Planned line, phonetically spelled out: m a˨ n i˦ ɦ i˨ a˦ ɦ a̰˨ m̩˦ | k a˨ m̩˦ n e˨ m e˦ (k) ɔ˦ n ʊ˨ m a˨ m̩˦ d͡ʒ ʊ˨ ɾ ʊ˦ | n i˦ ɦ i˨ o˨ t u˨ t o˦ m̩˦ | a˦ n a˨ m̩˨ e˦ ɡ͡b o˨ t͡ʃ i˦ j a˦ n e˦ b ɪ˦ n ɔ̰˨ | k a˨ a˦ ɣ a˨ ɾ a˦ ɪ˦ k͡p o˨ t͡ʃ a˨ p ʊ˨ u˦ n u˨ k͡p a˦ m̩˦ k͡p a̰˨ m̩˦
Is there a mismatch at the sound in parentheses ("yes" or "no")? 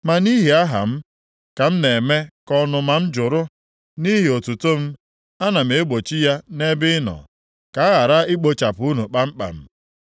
no